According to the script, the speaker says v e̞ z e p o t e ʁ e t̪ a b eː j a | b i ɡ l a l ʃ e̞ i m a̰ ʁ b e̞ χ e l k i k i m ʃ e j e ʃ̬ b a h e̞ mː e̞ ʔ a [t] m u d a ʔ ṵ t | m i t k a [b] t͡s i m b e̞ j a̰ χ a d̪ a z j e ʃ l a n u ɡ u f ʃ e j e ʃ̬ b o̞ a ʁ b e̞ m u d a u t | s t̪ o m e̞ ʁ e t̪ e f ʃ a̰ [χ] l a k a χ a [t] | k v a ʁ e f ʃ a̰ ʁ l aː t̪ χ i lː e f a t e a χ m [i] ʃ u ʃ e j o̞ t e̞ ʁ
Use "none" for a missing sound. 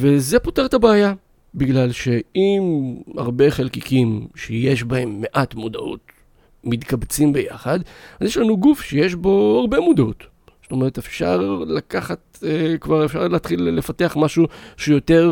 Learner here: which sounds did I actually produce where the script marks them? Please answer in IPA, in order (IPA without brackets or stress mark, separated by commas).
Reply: t, b, ʁ, t, a